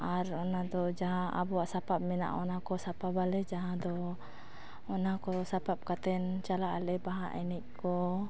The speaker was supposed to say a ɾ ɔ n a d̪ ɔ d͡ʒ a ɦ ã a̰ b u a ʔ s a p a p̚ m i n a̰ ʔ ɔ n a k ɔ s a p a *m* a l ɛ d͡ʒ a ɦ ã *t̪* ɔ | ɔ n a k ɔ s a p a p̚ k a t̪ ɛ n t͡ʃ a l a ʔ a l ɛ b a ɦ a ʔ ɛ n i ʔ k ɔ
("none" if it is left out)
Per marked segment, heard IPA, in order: b, d̪

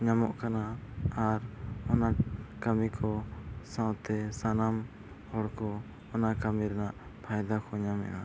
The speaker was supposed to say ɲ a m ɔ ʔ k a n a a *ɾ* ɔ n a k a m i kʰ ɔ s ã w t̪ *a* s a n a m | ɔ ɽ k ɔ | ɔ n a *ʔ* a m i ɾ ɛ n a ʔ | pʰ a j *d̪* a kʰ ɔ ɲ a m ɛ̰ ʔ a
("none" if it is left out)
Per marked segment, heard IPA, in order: ɾ, ɛ, k, d̪

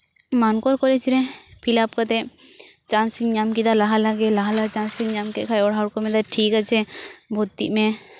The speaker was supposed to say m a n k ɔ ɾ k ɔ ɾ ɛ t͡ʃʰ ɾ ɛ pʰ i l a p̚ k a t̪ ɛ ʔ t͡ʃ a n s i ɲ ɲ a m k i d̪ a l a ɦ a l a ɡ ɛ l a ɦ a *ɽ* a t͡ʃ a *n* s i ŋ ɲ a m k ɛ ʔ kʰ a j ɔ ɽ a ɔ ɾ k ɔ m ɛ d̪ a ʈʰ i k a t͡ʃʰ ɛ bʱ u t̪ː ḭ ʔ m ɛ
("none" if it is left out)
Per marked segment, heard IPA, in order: l, n

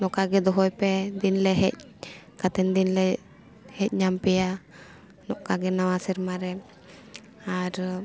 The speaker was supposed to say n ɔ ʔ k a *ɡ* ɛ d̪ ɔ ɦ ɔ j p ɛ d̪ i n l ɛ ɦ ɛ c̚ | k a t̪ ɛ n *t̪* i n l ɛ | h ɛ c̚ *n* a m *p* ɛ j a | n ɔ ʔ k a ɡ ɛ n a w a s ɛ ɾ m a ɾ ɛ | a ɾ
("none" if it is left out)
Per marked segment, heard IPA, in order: ɡ, d̪, ɲ, p

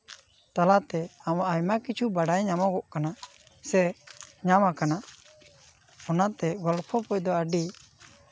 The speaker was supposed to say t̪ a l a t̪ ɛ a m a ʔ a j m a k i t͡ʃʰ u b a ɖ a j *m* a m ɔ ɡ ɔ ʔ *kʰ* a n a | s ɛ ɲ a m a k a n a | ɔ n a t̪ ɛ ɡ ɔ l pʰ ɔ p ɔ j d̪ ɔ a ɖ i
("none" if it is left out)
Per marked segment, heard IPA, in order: ɲ, k

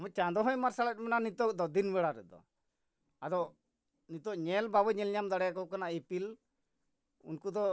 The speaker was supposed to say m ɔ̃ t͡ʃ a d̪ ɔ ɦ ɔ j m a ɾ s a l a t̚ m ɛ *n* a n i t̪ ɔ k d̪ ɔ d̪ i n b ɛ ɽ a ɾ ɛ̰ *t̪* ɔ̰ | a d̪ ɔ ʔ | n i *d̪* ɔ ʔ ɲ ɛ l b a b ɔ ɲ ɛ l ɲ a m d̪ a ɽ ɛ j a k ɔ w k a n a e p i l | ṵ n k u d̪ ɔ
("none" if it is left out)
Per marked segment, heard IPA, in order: n, d̪, t̪

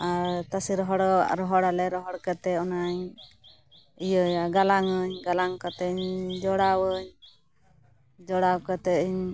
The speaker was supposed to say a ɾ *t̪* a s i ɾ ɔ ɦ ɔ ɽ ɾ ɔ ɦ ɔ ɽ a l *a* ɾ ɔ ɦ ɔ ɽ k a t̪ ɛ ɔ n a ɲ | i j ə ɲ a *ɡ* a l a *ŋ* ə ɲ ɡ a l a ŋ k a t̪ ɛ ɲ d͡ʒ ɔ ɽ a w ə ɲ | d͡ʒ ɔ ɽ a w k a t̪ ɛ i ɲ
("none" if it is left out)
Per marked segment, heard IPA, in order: t̪, ɛ, ɡ, ŋ

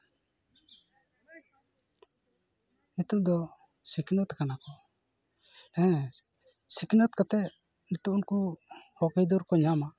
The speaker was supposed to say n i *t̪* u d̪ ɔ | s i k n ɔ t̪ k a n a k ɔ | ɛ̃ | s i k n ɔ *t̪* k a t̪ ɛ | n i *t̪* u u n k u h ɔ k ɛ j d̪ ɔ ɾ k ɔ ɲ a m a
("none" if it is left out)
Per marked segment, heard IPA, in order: t̪, t̪, t̪

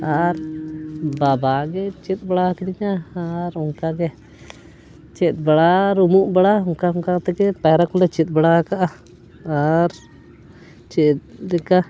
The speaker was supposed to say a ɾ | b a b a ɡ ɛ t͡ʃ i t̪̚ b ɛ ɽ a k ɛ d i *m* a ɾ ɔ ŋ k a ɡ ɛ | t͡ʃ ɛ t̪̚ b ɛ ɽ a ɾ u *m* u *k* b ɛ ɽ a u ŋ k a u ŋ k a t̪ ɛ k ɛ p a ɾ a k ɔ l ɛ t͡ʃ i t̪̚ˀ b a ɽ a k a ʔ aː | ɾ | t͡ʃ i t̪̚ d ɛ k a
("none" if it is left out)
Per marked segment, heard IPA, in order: ɲ, m, ʔ

